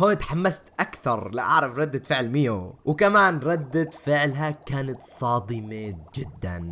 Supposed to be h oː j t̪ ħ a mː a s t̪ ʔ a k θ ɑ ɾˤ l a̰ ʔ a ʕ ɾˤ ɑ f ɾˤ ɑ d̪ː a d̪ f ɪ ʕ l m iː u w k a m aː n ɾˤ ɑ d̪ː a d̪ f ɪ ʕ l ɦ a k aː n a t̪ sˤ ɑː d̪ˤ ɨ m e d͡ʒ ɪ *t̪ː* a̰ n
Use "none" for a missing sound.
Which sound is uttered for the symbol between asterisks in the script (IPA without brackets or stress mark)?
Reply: d̪ː